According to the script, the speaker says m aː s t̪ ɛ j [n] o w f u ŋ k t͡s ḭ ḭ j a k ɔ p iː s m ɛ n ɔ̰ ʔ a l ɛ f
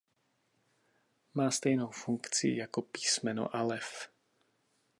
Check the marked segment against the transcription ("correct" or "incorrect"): correct